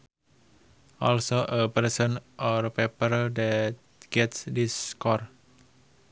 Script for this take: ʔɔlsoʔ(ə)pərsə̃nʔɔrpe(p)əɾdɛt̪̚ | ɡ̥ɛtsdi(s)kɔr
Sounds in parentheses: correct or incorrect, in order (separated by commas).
correct, correct, correct